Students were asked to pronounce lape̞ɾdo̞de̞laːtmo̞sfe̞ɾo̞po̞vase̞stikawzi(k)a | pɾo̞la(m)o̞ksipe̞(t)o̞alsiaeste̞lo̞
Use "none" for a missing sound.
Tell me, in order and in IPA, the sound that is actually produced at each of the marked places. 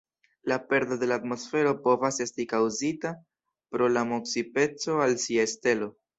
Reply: t, m, t͡s

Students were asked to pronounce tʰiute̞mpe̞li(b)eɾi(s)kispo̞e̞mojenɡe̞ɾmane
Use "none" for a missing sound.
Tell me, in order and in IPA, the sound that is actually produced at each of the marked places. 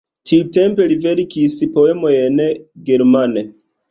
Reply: v, none

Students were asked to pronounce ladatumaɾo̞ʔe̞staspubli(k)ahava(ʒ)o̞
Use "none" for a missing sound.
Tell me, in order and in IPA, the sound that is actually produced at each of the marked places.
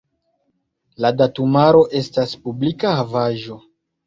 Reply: k, ʒ

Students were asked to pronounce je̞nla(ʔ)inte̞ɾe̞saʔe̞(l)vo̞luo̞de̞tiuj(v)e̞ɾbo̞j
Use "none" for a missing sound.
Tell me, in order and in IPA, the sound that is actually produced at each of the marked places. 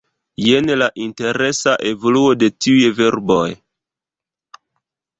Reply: ʔ, none, v

